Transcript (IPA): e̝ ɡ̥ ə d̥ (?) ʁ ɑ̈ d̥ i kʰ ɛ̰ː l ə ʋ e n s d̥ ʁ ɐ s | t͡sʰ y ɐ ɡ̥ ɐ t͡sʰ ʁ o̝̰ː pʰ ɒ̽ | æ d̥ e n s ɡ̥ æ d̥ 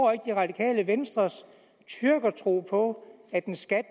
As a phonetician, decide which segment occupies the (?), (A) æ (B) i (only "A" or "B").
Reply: B